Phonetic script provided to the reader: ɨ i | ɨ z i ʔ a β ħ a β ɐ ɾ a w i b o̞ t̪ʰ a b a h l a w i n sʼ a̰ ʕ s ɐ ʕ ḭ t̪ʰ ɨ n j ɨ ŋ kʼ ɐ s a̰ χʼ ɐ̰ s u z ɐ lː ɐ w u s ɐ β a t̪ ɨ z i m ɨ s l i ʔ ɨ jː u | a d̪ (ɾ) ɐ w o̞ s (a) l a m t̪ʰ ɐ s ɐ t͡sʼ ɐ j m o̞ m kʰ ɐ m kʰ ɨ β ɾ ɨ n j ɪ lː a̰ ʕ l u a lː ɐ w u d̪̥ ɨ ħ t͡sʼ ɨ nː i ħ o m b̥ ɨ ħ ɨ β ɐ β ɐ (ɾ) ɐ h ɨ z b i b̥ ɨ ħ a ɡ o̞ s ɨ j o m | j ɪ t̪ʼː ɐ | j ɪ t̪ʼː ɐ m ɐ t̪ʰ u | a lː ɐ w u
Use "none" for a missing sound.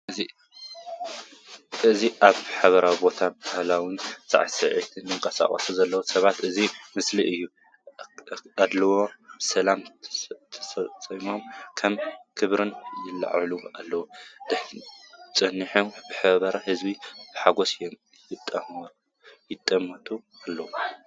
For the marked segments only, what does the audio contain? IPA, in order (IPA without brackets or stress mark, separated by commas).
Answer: l, ɐ, ɾ